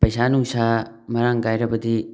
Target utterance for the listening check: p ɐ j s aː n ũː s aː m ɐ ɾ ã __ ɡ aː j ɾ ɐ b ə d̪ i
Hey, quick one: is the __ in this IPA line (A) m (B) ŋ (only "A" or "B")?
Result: B